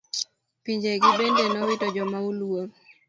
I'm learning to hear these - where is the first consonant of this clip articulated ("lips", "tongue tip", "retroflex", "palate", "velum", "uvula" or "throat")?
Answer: lips